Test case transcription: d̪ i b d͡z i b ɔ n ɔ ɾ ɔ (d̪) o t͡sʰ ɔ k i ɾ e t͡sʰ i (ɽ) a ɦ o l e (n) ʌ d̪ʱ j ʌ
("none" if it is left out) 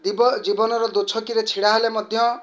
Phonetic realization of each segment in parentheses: d̪, ɽ, m

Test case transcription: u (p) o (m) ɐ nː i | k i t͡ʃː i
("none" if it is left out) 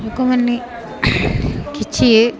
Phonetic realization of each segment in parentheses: k, m

